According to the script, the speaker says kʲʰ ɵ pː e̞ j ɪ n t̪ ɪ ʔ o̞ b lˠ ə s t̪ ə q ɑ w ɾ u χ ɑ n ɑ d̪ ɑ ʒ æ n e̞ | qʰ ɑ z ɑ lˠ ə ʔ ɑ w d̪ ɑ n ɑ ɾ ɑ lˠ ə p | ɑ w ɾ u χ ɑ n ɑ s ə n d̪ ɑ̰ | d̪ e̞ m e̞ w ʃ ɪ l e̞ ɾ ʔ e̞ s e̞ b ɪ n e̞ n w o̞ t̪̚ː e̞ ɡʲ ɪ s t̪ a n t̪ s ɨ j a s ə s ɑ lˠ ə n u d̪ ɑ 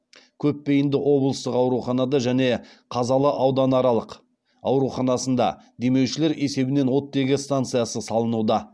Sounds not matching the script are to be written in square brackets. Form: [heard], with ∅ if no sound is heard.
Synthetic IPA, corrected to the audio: kʲʰ ɵ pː e̞ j ɪ n [d̪] ɪ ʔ o̞ b lˠ ə s t̪ ə q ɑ w ɾ u χ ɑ n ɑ d̪ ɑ ʒ æ n e̞ | qʰ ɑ z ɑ lˠ ə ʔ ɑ w d̪ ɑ n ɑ ɾ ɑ lˠ ə [q] | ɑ w ɾ u χ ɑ n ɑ s ə n d̪ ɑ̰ | d̪ e̞ m e̞ w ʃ ɪ l e̞ ɾ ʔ e̞ s e̞ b ɪ n e̞ n w o̞ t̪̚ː e̞ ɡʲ ɪ s t̪ a n t̪ s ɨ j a s ə s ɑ lˠ ə n u d̪ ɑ